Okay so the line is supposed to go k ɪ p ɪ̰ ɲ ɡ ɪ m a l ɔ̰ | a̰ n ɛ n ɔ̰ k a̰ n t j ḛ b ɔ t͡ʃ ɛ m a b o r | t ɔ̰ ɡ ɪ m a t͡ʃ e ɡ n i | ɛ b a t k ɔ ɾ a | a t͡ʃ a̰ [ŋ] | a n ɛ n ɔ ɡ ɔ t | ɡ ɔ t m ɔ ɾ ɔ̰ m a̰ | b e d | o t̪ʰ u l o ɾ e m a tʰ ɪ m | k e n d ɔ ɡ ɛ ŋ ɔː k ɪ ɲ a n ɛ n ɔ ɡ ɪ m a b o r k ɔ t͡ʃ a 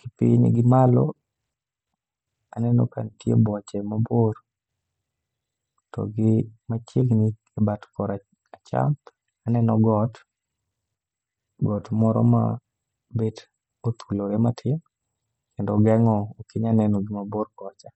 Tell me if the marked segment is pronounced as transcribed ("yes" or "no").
no